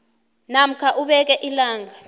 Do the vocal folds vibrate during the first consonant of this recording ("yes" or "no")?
yes